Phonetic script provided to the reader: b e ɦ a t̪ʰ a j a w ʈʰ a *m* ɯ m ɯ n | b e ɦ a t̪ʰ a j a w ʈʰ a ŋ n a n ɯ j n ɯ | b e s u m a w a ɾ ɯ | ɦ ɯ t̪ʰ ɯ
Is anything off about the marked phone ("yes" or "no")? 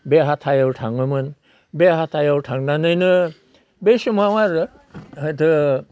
yes